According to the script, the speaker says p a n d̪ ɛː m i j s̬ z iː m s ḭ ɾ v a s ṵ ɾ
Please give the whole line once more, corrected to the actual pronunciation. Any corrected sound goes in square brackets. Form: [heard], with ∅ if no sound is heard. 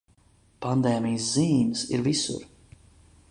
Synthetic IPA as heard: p a n d̪ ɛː m i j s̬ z iː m s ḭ ɾ v [i] s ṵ ɾ

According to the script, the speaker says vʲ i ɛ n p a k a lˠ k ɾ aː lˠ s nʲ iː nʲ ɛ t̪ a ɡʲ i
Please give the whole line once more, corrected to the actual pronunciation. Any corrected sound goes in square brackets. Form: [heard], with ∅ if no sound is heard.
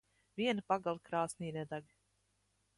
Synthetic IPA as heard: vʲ i ɛ n p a [ɡ] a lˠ k ɾ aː [∅] s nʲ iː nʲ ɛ [d̪] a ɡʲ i

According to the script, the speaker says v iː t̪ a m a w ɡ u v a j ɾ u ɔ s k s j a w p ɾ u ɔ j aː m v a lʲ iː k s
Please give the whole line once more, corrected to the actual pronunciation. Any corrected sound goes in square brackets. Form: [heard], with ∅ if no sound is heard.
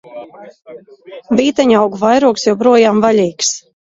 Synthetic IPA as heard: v iː t̪ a [ɲ] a w ɡ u v a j ɾ u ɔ [∅] k s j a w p ɾ u ɔ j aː m v a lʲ iː k s

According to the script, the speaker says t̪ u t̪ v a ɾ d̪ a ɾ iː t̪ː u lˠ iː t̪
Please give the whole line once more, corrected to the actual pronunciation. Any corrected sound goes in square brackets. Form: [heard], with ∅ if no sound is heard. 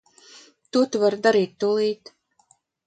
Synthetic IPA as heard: t̪ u t̪ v a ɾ d̪ a ɾ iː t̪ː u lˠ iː t̪

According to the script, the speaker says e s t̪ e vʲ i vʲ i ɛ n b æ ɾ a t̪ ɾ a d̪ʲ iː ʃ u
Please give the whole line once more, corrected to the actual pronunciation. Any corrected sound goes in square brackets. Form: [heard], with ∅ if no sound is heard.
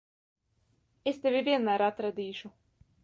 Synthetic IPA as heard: e s t̪ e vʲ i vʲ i ɛ n [m] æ ɾ a t̪ ɾ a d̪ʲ iː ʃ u

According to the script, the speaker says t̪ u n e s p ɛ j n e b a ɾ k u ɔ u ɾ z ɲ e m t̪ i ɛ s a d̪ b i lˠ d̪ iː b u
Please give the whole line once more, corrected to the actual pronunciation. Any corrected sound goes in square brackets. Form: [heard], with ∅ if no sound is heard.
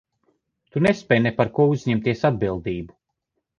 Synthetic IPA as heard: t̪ u n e s p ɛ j n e [p] a ɾ k u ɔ u [∅] z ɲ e m t̪ i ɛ s a d̪ b i lˠ d̪ iː b u

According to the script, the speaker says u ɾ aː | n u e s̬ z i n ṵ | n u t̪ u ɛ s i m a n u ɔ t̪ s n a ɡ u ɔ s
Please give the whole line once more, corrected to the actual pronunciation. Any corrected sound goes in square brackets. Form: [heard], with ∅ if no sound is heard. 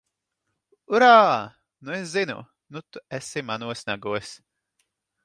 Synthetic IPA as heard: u ɾ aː | n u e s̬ z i n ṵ | n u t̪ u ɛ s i m a n u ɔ [∅] s n a ɡ u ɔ s

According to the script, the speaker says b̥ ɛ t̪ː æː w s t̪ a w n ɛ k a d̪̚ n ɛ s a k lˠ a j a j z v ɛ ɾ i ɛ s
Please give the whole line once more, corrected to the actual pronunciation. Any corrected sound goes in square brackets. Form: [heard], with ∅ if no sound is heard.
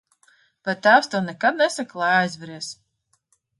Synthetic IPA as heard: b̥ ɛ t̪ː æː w s t̪ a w n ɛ k a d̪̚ n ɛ s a k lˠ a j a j z v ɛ ɾ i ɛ s

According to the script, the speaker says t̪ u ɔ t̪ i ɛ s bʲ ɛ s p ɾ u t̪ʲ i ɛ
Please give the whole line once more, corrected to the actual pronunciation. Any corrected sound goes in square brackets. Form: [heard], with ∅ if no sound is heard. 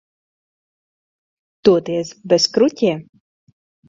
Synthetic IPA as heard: t̪ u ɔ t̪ i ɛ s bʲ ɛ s [k] ɾ u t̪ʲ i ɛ

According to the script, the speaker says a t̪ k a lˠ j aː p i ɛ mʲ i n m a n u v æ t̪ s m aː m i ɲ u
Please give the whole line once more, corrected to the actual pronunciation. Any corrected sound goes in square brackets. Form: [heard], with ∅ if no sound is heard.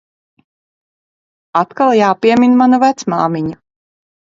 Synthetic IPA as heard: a t̪ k a lˠ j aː p i ɛ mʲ i n m a n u v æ t̪ s m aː m i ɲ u

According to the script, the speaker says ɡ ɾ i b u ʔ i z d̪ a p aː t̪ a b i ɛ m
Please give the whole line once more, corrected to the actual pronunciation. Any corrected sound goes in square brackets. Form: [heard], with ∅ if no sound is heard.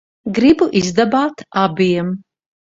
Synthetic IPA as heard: ɡ ɾ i b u ʔ i z d̪ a [b] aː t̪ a b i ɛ m

